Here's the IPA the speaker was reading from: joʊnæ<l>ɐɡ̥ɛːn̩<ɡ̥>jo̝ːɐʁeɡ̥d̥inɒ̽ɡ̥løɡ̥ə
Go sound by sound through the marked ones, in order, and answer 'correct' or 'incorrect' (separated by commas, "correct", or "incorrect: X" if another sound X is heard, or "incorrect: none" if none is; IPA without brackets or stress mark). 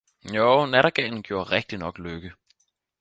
incorrect: ɾ, correct